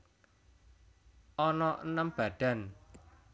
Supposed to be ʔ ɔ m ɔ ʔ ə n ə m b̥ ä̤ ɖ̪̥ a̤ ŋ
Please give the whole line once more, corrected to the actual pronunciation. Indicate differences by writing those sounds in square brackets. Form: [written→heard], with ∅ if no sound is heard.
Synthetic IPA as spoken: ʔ ɔ [m→n] ɔ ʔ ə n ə m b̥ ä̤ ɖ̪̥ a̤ [ŋ→n]